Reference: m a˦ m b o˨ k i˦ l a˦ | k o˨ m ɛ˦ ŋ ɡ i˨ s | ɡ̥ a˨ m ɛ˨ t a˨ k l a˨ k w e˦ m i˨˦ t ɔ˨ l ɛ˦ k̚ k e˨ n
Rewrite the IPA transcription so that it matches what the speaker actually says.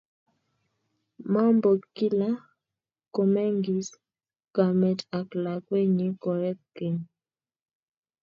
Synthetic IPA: m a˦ m b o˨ k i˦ l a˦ | k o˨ m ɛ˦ ŋ ɡ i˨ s | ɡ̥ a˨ m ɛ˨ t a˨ k l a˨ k w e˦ ɲ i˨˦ k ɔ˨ ɾ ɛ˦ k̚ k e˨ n